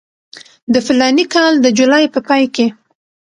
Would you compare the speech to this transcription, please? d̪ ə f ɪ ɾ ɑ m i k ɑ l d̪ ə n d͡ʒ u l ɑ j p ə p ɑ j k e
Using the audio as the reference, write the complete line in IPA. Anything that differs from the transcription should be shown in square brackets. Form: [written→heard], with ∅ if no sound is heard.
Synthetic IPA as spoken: d̪ ə f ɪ [ɾ→l] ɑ [m→n] i k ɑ l d̪ ə [n→∅] d͡ʒ u l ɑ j p ə p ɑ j k e